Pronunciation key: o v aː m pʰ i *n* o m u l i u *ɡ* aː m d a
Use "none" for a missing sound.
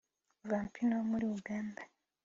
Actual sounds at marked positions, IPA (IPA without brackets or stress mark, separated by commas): n, ɡ